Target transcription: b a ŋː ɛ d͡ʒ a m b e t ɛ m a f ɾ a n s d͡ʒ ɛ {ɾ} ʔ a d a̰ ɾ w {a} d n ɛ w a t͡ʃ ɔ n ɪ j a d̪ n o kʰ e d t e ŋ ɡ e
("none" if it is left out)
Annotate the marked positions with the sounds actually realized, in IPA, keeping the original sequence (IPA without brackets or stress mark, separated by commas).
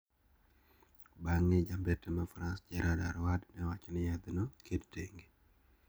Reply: ɾ, a